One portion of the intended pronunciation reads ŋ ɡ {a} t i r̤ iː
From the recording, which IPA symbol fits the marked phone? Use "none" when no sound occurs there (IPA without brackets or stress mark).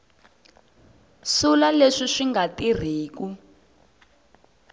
a